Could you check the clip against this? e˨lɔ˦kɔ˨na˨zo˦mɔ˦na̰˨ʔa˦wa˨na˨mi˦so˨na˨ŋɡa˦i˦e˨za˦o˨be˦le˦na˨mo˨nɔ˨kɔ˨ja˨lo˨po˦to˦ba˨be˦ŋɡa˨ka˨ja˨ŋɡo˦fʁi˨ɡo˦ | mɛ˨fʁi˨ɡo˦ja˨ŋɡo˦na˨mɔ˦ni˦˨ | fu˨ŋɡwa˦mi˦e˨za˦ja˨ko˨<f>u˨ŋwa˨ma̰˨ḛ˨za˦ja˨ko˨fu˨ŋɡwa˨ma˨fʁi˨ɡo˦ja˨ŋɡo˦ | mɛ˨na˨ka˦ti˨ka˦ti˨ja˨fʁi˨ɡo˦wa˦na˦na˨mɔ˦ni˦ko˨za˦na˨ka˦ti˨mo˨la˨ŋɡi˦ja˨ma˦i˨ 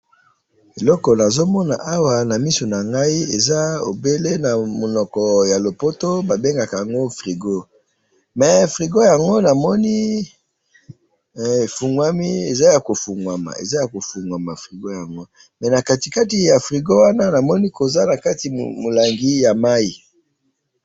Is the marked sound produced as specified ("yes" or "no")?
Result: yes